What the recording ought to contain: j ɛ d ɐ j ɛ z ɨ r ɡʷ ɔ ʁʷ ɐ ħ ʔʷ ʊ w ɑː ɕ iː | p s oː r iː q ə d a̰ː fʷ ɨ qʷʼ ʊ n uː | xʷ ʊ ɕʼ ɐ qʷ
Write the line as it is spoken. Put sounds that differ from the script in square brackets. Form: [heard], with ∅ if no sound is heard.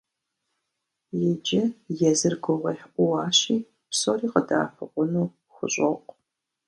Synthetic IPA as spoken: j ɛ [d͡ʒ] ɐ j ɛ z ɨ r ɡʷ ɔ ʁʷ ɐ ħ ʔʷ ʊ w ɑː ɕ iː | p s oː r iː q ə d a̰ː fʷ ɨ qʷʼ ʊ n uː | xʷ ʊ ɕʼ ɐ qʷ